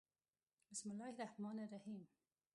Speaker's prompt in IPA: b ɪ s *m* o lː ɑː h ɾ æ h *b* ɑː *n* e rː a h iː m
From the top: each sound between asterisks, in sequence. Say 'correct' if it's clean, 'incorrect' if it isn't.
correct, incorrect: m, correct

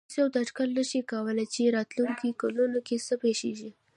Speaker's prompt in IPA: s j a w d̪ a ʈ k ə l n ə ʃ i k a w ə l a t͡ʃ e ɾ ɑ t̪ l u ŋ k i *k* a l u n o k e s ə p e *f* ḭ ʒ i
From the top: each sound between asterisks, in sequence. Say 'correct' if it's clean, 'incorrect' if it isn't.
correct, incorrect: ʃ

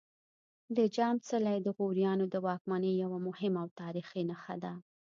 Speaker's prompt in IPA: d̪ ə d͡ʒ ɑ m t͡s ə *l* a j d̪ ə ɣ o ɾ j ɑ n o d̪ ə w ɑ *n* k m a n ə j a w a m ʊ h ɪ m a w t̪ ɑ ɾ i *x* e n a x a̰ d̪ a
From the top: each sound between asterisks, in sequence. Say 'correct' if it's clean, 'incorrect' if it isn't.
correct, incorrect: none, correct

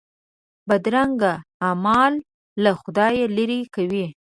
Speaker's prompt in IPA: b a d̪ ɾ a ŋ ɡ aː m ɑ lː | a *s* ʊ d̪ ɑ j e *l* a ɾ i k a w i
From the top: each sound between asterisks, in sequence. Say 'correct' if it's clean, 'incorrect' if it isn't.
incorrect: x, correct

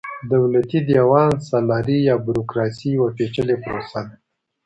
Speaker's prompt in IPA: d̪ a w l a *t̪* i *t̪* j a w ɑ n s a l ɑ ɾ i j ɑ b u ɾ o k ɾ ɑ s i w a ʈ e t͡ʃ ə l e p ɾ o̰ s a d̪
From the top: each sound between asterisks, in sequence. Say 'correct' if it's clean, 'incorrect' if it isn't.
correct, incorrect: d̪

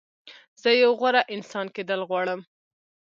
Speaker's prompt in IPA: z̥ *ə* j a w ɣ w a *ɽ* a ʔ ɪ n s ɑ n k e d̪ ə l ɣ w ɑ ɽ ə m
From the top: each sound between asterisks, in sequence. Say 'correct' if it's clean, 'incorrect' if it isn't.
correct, incorrect: ɾ

